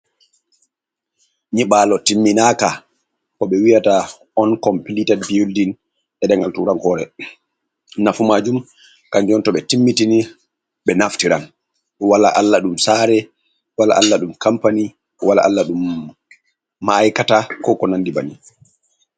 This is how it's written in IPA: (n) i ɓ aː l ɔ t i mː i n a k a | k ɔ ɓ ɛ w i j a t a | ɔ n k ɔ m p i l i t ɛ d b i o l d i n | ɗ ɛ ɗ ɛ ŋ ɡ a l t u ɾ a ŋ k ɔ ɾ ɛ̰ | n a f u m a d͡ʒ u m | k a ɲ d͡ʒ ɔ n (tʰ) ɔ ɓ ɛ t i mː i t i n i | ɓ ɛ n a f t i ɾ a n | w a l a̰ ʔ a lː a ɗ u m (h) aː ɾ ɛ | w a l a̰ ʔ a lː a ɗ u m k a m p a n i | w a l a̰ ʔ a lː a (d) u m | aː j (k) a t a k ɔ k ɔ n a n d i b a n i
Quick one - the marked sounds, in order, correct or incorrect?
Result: incorrect, incorrect, incorrect, incorrect, correct

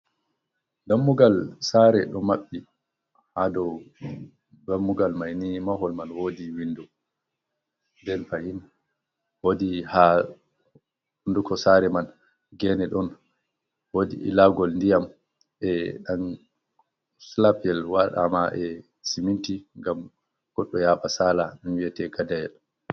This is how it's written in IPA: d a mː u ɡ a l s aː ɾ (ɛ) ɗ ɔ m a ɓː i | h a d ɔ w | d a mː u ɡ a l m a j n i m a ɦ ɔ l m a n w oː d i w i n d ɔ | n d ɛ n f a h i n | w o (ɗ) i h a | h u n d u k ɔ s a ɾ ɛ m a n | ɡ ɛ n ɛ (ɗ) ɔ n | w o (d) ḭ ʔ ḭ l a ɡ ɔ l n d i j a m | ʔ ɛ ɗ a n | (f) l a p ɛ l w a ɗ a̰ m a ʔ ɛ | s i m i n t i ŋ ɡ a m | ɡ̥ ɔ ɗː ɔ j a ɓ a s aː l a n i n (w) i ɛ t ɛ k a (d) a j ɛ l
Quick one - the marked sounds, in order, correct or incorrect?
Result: correct, incorrect, correct, correct, incorrect, correct, correct

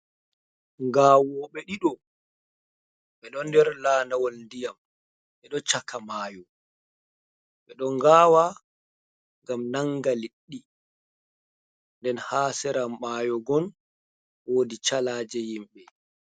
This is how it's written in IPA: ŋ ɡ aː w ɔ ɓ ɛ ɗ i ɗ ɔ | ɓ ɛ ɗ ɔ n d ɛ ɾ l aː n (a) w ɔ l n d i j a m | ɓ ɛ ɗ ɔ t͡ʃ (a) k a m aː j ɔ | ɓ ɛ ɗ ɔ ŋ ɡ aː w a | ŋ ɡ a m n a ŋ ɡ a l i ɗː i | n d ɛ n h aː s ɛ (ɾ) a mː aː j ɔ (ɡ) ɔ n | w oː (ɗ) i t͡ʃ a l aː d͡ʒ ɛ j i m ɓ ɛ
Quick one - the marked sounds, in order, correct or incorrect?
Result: correct, correct, correct, correct, incorrect

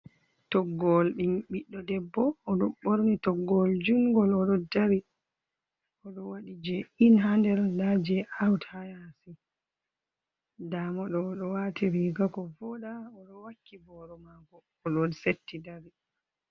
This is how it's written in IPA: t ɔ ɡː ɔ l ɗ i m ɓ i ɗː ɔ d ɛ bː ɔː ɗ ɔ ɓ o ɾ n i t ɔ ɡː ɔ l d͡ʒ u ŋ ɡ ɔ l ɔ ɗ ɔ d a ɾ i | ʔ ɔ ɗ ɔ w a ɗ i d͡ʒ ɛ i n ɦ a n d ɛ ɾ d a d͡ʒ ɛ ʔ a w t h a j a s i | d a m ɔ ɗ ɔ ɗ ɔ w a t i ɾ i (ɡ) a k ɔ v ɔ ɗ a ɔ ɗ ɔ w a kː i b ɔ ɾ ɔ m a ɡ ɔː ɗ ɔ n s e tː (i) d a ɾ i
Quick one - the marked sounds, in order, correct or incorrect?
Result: correct, correct

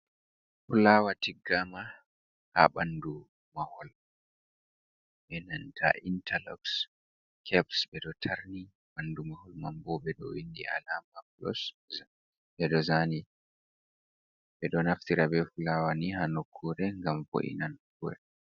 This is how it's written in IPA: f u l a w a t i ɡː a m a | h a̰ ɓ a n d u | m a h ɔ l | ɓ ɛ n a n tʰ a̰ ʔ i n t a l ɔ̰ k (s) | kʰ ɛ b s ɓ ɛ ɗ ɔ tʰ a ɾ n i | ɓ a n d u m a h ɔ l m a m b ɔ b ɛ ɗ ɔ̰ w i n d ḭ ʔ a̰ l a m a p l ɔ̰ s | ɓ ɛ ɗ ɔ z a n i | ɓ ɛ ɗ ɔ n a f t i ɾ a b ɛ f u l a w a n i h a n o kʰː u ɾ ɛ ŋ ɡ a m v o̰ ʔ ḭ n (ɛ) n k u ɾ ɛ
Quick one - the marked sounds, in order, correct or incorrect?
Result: correct, incorrect

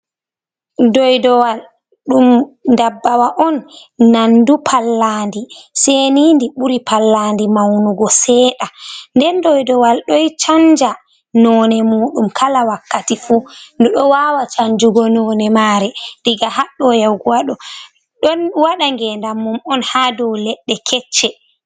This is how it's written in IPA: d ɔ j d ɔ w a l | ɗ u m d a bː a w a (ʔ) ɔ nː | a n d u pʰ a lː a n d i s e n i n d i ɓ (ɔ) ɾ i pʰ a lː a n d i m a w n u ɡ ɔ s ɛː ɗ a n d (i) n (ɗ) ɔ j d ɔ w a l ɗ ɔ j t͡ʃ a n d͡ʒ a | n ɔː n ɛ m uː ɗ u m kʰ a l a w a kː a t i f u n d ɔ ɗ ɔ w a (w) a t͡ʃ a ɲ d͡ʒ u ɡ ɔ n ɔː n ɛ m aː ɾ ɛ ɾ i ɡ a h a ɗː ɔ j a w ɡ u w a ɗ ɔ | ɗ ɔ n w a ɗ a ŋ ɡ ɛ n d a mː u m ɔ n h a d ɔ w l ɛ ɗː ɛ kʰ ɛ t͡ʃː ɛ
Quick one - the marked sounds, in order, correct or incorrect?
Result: correct, incorrect, incorrect, incorrect, correct

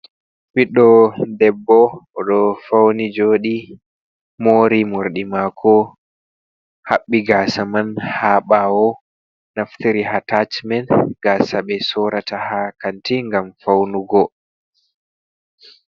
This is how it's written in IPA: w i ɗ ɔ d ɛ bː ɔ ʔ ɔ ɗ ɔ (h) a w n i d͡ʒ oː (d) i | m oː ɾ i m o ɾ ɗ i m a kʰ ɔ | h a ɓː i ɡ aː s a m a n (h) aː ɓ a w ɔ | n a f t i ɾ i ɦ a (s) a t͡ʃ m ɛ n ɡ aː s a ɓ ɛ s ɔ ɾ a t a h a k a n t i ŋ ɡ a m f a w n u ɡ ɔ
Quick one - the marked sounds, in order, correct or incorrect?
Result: incorrect, incorrect, correct, incorrect

